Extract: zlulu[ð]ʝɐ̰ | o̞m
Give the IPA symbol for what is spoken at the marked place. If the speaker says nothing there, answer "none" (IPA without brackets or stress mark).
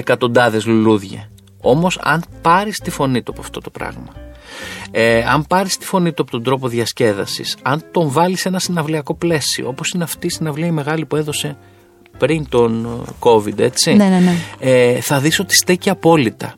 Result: ð